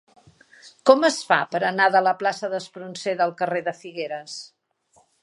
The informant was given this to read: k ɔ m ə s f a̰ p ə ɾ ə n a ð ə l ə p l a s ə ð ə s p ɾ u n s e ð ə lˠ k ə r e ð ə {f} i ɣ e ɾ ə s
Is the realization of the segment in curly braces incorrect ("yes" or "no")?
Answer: no